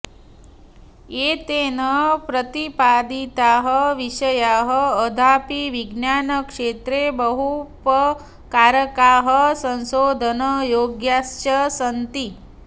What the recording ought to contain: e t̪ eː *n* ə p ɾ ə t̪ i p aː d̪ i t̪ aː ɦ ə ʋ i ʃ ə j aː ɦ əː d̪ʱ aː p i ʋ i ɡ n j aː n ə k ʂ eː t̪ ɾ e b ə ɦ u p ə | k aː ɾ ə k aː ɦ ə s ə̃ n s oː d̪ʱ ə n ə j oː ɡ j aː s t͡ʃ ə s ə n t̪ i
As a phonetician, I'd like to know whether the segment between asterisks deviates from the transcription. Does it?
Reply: no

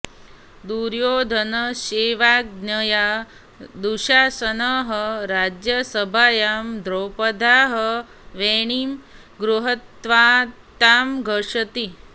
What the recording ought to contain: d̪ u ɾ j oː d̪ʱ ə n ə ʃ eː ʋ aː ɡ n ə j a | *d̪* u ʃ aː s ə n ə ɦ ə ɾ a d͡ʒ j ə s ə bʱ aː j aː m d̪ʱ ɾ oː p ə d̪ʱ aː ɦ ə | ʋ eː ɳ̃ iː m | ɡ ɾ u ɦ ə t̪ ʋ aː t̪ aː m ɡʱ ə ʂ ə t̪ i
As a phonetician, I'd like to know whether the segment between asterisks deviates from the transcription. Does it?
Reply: no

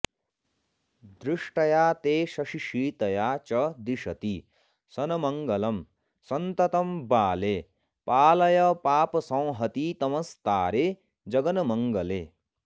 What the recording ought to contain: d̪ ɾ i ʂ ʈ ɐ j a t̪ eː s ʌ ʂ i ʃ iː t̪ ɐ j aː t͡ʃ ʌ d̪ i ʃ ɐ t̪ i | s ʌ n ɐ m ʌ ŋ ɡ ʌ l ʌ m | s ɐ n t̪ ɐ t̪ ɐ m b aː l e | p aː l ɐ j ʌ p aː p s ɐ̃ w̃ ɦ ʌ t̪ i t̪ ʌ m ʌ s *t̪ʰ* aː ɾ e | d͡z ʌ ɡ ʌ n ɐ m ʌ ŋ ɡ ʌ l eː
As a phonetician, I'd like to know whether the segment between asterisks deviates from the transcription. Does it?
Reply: yes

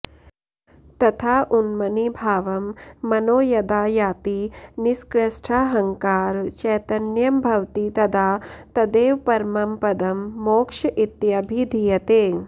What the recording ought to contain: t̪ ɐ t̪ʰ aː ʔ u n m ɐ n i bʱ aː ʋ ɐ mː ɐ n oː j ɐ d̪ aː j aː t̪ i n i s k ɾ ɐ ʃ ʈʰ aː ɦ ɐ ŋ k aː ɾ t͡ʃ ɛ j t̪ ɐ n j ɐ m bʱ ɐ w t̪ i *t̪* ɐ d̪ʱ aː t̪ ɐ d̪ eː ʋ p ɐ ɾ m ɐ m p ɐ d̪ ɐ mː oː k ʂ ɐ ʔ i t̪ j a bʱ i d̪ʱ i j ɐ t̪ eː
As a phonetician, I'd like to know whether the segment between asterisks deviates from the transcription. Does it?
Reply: no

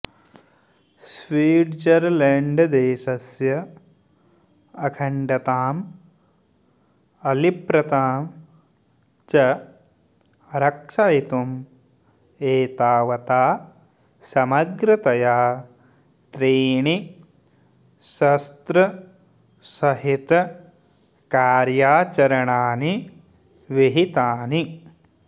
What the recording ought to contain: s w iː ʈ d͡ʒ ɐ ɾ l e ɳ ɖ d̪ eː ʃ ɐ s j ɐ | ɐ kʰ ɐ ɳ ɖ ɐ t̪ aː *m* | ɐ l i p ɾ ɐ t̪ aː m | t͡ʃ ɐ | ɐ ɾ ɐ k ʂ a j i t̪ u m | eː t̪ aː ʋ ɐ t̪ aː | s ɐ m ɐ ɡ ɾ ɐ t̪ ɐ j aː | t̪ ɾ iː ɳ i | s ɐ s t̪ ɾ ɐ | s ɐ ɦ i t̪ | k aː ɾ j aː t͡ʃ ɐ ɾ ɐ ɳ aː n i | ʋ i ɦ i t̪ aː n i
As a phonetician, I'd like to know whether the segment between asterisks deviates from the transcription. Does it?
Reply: no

